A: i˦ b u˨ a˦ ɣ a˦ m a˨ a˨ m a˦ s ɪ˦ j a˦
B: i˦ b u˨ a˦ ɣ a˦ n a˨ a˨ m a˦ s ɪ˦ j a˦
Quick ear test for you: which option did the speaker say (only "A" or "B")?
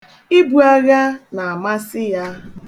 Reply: B